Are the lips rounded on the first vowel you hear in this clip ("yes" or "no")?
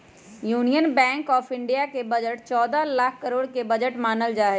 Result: yes